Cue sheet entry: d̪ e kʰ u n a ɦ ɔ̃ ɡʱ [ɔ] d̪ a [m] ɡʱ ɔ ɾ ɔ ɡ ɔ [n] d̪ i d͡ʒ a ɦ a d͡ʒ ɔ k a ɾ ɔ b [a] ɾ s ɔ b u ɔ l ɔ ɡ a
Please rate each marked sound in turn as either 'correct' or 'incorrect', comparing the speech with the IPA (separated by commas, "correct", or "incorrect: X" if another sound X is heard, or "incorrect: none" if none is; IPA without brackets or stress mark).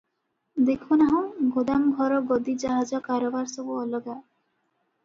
incorrect: o, correct, incorrect: none, correct